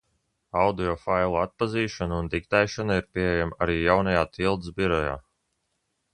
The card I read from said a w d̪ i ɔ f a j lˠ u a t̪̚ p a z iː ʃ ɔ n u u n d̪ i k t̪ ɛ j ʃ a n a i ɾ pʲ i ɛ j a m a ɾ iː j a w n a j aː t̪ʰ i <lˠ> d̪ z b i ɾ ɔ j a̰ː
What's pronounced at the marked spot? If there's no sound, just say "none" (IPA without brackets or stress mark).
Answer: lˠ